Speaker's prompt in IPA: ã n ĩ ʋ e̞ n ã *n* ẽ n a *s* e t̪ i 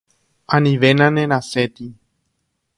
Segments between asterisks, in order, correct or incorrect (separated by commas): correct, correct